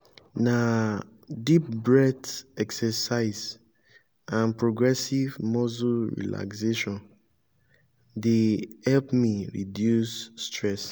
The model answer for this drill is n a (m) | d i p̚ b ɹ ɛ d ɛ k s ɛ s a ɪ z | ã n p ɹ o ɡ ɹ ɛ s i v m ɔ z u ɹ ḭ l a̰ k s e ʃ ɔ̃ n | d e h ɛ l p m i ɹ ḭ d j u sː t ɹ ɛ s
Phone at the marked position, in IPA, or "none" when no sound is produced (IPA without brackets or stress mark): none